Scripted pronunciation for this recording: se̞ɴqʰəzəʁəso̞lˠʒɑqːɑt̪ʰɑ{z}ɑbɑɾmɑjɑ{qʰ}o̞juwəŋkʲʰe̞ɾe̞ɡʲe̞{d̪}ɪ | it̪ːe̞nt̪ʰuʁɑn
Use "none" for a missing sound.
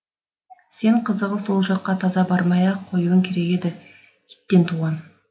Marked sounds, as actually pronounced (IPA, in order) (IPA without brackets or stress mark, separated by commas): z, qʰ, d̪